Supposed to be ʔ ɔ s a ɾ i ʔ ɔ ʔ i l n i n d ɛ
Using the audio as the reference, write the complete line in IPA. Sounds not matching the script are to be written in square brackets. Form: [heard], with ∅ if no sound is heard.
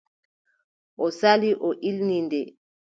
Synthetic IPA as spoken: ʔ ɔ s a [l] i ʔ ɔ ʔ i l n i n d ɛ